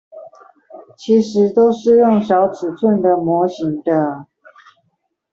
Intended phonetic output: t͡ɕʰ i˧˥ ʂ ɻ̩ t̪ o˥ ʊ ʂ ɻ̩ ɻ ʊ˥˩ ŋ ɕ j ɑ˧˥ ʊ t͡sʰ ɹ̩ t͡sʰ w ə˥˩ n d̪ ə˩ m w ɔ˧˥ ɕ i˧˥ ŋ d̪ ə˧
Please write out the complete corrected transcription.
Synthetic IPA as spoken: t͡ɕʰ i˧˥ ʂ ɻ̩ t̪ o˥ ʊ ʂ ɻ̩ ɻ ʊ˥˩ ŋ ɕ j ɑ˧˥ ʊ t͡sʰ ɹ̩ t͡sʰ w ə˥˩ n d̪ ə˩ m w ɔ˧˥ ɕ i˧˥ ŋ d̪ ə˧